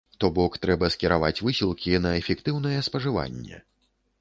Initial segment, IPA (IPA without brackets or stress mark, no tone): t̪